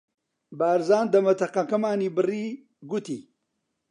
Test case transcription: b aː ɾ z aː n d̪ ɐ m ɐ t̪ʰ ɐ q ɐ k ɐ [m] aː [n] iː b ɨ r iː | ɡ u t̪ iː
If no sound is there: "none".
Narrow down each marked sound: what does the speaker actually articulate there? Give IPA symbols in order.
m, n

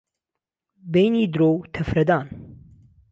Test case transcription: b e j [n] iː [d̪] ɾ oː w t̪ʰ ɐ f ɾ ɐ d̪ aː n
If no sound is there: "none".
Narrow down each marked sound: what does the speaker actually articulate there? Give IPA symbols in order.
n, d̪

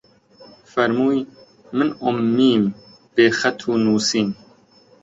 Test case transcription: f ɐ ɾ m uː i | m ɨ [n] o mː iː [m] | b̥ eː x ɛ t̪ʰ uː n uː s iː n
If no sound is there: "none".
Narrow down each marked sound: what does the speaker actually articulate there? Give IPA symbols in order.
n, m

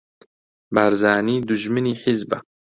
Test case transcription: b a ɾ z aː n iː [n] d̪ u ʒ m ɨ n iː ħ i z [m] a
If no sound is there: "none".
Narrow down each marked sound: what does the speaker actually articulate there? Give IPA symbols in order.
none, b

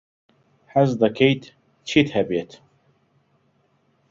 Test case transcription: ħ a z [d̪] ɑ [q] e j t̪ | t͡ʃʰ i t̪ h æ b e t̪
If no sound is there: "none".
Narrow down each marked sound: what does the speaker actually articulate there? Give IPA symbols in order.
d̪, k

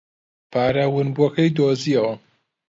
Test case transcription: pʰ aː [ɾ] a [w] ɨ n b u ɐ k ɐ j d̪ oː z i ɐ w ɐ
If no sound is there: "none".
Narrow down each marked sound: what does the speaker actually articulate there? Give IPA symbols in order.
ɾ, w

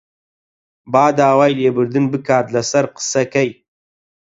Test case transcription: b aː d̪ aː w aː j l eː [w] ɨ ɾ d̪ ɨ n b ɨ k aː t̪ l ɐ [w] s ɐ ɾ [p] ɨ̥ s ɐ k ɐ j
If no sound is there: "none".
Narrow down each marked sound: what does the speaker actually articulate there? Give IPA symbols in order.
b, none, q

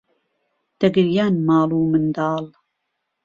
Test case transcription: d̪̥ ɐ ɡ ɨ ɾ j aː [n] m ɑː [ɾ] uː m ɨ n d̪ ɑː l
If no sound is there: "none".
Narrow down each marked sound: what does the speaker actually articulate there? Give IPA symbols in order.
n, l

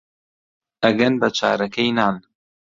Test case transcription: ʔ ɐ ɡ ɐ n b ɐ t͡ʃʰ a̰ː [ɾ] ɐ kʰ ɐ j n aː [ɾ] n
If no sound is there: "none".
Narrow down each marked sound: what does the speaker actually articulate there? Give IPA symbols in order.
ɾ, none

